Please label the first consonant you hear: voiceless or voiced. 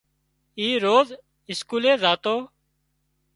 voiced